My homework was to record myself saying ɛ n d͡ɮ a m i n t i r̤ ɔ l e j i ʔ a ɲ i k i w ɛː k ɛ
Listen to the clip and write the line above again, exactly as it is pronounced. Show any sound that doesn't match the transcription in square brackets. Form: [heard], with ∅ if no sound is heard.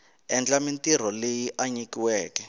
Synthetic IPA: ɛ n d͡ɮ a m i n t i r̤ ɔ l e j i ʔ a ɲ i k i w ɛː k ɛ